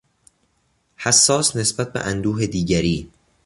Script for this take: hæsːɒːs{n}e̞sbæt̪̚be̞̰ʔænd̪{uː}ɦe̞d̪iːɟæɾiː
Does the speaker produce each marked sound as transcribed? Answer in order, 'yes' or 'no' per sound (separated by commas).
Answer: yes, yes